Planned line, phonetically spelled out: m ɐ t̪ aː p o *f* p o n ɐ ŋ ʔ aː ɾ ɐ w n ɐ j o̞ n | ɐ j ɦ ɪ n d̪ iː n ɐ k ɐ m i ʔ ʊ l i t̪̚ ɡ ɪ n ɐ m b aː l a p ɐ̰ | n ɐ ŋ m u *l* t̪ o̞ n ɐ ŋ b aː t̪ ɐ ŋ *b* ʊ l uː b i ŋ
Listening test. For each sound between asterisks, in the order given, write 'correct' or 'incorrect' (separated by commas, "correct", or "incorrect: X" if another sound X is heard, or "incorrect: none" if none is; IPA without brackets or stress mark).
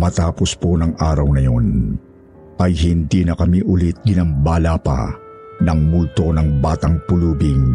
incorrect: s, correct, incorrect: p